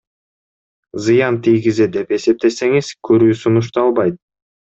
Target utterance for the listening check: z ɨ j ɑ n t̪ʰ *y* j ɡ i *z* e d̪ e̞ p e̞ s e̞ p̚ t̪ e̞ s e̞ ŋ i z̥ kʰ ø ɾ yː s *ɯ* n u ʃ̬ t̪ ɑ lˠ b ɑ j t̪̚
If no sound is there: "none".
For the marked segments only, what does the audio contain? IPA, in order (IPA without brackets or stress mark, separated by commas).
i, z, u